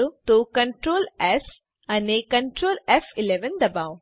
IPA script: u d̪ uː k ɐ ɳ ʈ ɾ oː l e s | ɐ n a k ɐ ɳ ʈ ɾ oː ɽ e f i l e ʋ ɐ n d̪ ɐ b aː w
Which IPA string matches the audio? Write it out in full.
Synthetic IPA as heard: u t̪ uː k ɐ ɳ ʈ ɾ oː l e s | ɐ n e k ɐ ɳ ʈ ɾ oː l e f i l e ʋ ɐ n d̪ ɐ b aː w